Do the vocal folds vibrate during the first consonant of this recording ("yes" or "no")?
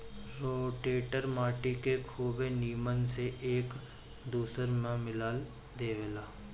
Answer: yes